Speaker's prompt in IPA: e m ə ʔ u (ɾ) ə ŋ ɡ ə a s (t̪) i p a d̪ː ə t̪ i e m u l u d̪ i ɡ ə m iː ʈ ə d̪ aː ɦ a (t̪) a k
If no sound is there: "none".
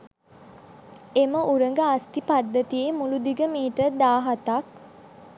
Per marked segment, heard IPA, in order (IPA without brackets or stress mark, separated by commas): ɾ, t̪, t̪